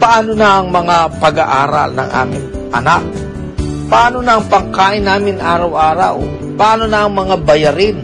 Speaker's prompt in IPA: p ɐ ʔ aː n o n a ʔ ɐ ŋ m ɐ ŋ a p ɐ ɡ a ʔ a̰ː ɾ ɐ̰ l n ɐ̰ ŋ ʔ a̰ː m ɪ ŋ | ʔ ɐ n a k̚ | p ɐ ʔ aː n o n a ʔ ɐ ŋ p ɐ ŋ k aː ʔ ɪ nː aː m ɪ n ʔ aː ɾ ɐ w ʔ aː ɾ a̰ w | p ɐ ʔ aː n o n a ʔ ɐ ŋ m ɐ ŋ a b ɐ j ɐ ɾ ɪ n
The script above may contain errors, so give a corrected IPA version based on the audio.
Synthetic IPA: p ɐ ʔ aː n o n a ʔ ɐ ŋ m ɐ ŋ a p ɐ ɡ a ʔ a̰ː ɾ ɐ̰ l n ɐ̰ ŋ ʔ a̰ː m ɪ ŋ | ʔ ɐ n a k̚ | p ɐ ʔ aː n o n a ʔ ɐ ŋ p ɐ ŋ k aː ʔ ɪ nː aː m ɪ n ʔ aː ɾ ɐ w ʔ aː ɾ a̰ w | p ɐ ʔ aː n o n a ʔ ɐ ŋ m ɐ ŋ a b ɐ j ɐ ɾ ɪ n